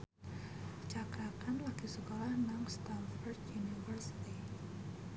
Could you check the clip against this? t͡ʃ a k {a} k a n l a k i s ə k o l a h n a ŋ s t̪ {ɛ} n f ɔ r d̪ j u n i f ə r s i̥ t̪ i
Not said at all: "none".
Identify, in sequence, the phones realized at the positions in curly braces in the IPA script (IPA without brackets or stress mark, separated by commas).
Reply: a, a